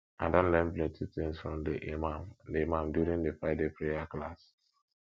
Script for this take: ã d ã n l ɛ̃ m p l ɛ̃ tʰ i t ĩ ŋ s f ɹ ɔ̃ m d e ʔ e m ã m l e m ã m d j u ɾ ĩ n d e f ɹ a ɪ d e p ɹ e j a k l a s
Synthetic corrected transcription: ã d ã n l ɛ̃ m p l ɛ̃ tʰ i t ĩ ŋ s f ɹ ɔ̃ m d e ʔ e m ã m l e m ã m d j u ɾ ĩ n d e f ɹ a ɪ d e p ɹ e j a k l a s